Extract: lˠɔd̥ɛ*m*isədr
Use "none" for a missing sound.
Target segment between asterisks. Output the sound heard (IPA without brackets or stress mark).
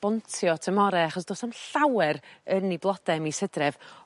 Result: m